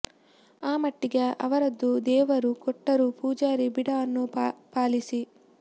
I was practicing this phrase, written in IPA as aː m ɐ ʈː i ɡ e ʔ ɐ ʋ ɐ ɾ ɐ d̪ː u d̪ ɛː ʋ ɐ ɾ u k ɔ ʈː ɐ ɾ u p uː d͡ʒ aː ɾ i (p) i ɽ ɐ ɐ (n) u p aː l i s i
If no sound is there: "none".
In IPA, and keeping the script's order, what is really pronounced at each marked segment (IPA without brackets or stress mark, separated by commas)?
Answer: b, nː